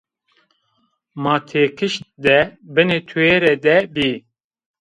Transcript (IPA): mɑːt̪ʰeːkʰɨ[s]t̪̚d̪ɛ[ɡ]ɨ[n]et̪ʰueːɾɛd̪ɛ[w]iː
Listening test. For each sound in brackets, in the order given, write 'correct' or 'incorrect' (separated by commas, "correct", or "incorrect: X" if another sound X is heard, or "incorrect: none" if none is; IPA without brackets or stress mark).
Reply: incorrect: ʃ, incorrect: b, correct, incorrect: b